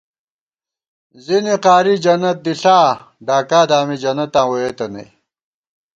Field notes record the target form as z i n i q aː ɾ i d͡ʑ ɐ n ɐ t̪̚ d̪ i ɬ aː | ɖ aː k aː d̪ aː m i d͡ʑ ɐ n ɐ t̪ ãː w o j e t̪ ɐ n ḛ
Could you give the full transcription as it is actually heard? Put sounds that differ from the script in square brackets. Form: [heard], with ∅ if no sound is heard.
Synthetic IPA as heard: z i n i q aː ɾ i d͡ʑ ɐ n ɐ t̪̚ d̪ i ɬ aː | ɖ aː k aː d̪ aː m i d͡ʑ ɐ n ɐ t̪ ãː w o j e t̪ ɐ n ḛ